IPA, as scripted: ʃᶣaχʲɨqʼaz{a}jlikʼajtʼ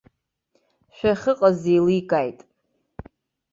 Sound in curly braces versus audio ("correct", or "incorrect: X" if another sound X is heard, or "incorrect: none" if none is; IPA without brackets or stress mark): incorrect: e